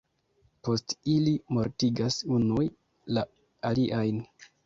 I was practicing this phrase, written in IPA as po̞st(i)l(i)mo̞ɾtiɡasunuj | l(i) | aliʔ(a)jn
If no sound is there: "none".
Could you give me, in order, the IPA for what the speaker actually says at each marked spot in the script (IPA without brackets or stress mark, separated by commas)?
i, i, a, a